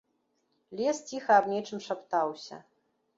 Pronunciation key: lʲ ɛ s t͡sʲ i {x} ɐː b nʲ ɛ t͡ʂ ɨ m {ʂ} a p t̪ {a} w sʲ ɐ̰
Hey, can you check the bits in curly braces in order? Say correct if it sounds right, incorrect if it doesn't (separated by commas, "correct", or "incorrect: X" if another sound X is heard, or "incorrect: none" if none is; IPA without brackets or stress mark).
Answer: correct, correct, correct